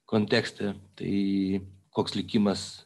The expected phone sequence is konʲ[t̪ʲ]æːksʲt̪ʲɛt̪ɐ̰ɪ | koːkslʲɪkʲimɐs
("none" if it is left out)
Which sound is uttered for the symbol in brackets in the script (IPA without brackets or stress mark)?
t̪ʲ